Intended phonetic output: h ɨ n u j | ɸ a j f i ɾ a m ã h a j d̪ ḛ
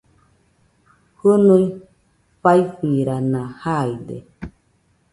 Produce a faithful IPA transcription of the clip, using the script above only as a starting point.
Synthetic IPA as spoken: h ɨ n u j | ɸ a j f i ɾ a n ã h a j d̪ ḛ